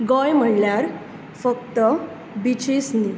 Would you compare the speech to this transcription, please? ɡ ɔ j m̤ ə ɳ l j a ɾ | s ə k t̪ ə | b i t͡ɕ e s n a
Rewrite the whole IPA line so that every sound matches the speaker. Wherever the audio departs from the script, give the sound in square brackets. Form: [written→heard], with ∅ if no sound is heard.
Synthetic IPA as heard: ɡ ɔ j m̤ ə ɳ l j a ɾ | [s→f] ə k t̪ ə | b i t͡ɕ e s n [a→i]